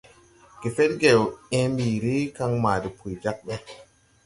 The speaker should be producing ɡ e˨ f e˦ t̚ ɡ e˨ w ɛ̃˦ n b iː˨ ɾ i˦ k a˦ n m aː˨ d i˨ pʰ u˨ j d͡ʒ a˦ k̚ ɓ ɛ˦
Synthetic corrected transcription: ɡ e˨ f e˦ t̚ ɡ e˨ w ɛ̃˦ m b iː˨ ɾ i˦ k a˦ ŋ m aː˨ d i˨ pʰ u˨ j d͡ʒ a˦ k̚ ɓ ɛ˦